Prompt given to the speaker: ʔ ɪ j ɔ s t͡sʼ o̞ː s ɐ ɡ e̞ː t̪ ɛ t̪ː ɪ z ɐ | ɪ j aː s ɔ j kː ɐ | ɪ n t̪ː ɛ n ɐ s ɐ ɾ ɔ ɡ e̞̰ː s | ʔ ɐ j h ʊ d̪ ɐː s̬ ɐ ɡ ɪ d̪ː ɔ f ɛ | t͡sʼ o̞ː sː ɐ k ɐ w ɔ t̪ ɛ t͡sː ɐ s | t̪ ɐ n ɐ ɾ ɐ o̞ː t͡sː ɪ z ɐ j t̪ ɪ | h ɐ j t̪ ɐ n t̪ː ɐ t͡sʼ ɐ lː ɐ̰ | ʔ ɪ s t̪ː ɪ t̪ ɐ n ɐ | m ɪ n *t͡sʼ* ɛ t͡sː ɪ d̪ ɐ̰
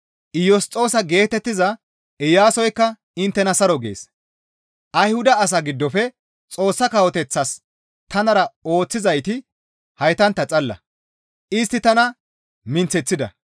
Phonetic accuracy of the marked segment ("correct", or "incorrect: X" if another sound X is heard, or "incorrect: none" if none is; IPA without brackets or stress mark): incorrect: t͡s